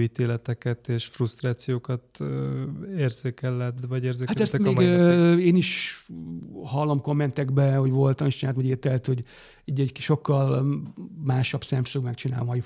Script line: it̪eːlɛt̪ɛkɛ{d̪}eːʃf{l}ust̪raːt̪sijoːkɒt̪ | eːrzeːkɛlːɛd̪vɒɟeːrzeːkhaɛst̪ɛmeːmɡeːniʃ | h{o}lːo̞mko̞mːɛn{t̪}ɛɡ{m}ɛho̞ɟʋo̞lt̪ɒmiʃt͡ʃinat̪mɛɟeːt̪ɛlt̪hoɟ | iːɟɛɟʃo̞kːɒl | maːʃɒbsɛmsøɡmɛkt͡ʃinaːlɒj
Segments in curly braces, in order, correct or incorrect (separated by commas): incorrect, incorrect, incorrect, correct, incorrect